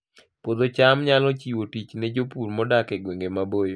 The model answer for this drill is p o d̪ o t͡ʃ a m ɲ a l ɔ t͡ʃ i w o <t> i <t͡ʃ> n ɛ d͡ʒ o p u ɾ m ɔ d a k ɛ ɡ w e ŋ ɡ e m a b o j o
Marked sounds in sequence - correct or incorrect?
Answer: correct, correct

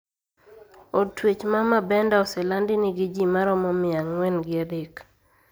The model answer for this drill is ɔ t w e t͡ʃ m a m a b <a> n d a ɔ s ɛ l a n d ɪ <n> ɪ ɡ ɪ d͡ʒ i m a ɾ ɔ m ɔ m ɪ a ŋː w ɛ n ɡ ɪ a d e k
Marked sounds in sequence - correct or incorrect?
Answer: incorrect: ɛ, correct

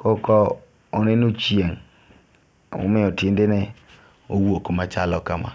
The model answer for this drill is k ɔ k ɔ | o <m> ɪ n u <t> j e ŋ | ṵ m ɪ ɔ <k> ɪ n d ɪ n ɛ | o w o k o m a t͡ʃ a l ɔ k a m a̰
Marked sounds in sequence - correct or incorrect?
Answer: incorrect: n, incorrect: t͡ʃ, incorrect: t

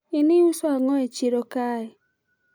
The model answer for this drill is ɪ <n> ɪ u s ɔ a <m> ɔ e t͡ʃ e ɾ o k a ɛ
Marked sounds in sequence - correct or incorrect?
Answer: correct, incorrect: ŋ

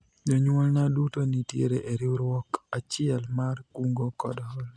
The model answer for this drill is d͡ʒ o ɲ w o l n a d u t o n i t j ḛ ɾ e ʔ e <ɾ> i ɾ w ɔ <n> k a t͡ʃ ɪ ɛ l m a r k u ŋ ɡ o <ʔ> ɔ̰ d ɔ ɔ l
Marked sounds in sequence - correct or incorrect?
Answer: correct, incorrect: none, incorrect: k

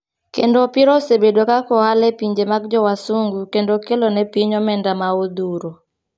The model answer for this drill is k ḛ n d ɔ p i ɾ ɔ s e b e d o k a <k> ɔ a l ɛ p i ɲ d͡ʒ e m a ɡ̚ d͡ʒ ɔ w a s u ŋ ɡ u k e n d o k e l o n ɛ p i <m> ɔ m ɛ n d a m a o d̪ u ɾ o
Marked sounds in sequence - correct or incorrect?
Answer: correct, incorrect: ɲ

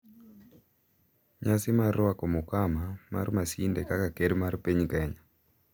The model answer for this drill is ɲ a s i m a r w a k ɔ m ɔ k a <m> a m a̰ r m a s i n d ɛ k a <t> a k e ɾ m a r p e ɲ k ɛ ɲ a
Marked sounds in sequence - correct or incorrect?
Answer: correct, incorrect: k

